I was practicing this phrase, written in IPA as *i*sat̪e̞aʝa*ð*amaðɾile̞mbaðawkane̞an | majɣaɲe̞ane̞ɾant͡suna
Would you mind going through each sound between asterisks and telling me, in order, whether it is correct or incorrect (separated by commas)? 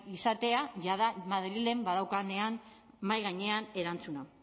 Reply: correct, correct